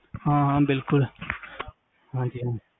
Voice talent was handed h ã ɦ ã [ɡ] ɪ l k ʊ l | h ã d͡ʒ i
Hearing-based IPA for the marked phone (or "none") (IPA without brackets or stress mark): b